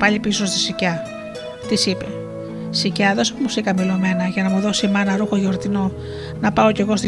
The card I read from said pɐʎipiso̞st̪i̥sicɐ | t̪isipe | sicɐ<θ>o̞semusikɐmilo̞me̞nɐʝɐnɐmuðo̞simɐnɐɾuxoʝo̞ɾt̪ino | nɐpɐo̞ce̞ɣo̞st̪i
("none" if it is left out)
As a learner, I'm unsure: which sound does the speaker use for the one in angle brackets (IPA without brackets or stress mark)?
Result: ð